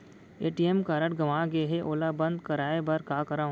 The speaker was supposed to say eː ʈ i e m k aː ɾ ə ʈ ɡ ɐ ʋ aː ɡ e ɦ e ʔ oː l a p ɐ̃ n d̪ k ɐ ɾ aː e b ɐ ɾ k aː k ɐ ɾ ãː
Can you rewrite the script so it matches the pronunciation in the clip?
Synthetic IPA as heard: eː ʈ i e m k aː ɾ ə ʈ ɡ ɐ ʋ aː ɡ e ɦ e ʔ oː l a b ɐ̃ n d̪ k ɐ ɾ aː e b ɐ ɾ k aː k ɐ ɾ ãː